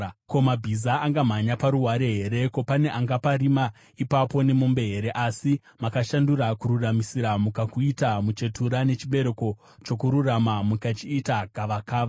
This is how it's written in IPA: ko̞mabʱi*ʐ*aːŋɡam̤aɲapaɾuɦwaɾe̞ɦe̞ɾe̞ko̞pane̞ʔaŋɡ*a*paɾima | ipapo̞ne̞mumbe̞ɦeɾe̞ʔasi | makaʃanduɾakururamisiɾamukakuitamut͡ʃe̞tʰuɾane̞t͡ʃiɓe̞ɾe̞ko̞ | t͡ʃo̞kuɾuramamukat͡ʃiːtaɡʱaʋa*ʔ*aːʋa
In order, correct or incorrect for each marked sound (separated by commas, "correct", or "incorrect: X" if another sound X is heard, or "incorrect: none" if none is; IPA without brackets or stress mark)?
incorrect: z, correct, incorrect: k